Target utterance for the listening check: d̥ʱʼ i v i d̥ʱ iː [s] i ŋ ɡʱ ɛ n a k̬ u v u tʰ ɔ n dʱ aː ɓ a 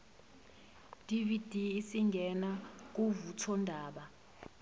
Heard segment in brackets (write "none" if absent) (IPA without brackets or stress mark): s